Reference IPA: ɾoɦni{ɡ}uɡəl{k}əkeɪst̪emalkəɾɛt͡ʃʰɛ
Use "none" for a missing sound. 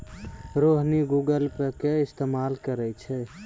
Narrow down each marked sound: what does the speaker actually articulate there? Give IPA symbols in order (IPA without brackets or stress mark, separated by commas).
ɡ, p